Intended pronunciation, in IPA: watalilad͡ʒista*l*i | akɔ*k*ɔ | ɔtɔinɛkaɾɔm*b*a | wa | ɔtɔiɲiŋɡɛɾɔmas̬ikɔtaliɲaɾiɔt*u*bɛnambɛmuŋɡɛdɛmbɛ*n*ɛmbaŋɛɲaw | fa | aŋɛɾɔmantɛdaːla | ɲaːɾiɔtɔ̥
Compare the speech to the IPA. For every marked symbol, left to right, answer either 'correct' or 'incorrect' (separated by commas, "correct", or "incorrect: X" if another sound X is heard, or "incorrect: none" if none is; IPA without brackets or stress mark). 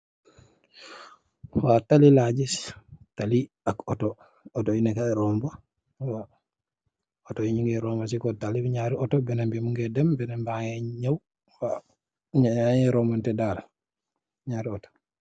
correct, incorrect: t, correct, incorrect: ɔ, correct